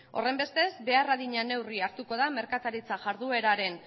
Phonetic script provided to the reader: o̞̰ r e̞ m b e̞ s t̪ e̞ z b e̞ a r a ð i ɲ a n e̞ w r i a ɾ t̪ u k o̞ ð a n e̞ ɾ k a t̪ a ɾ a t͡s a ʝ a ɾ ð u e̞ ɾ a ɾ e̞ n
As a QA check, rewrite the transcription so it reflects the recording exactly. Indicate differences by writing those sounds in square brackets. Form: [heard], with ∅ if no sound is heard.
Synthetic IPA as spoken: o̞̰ r e̞ m b e̞ s t̪ e̞ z b e̞ a r a ð i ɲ a n e̞ w r i a ɾ t̪ u k o̞ ð a [m] e̞ ɾ k a t̪ a ɾ [i] t͡s a ʝ a ɾ ð u e̞ ɾ a ɾ e̞ n